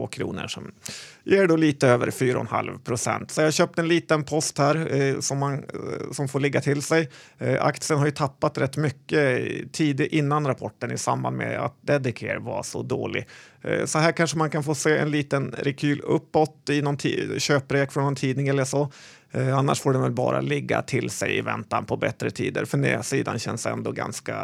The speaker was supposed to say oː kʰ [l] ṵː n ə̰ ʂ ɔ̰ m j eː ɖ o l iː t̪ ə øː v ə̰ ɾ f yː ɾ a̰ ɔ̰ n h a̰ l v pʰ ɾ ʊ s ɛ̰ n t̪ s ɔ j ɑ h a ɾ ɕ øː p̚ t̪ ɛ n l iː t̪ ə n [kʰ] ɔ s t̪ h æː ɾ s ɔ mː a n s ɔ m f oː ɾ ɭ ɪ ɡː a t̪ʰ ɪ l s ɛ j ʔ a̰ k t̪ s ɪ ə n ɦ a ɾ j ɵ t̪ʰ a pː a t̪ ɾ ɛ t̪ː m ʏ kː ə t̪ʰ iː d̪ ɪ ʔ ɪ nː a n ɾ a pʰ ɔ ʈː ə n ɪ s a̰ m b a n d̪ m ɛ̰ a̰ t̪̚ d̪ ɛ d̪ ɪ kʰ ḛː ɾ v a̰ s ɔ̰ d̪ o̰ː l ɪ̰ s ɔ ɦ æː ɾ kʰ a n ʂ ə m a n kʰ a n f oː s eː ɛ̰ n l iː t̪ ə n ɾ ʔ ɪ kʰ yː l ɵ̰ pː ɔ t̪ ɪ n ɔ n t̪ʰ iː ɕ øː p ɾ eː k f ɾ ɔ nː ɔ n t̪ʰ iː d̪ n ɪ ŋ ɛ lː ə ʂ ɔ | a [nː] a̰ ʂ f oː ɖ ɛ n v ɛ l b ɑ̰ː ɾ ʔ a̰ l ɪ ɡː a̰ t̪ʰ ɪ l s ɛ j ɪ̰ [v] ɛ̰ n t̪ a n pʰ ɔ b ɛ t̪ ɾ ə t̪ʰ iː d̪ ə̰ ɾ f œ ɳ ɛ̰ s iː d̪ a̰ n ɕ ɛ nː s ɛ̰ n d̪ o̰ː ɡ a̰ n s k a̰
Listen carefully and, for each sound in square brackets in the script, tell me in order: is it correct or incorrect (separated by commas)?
incorrect, incorrect, correct, correct